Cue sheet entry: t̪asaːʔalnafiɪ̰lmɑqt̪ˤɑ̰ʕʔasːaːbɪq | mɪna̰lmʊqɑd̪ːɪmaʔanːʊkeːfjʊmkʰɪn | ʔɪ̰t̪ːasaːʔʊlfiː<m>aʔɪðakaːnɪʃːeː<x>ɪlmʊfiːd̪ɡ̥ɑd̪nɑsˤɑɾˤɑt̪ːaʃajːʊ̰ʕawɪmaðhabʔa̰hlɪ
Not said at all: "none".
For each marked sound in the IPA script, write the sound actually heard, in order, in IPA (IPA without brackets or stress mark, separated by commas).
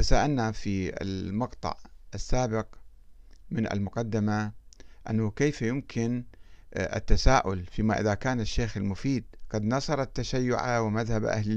m, x